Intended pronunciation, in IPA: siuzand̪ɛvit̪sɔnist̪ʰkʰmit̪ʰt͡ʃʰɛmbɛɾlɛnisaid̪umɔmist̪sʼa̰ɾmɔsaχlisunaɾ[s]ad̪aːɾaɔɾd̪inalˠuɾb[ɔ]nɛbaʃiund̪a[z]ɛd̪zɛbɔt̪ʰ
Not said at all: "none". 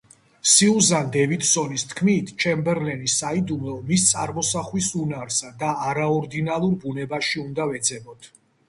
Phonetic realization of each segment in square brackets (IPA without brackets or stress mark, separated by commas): s, u, v